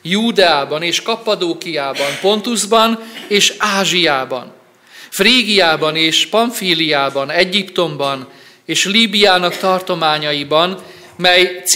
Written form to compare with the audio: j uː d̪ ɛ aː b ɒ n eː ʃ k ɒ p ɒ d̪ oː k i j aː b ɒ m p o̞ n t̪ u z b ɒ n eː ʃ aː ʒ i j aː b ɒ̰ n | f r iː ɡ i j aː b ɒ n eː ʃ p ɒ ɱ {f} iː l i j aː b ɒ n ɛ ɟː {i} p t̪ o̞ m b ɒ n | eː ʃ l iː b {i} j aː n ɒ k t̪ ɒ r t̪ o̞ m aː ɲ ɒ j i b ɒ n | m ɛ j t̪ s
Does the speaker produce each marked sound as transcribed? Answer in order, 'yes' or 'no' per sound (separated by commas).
yes, yes, yes